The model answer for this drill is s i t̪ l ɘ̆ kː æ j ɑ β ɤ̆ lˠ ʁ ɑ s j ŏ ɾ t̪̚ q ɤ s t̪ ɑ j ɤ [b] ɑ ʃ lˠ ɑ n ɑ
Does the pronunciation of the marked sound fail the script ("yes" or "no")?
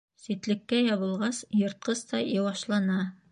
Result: yes